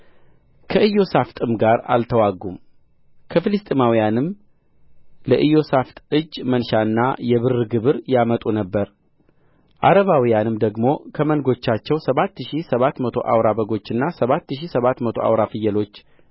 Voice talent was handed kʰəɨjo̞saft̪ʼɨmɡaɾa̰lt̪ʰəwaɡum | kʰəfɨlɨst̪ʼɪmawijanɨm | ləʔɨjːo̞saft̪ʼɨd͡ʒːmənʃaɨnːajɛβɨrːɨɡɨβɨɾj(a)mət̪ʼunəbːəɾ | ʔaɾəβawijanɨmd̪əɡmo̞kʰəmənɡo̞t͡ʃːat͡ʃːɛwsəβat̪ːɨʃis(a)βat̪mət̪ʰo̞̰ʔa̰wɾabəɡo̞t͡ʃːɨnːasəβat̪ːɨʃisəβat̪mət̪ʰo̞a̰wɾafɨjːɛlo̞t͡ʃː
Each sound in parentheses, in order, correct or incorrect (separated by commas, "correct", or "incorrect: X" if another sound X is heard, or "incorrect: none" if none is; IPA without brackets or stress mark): correct, incorrect: ə